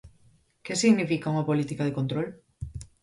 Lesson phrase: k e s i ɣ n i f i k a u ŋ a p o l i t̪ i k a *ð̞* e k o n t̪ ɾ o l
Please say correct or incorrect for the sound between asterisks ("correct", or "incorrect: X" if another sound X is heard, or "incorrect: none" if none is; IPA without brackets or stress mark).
correct